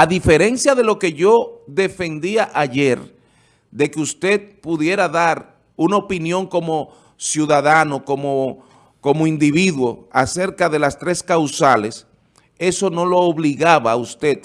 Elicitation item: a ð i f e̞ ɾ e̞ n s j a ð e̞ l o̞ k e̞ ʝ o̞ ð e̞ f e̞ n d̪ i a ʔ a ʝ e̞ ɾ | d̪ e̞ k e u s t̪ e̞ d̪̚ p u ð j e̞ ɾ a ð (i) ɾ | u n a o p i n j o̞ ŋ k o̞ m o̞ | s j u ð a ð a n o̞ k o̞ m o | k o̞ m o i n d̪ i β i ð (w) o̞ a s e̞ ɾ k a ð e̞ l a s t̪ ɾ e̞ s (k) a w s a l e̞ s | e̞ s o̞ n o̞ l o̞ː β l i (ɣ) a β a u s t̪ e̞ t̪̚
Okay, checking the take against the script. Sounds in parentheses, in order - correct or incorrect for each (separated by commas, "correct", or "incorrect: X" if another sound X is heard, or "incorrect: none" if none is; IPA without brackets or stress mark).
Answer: incorrect: a, correct, correct, correct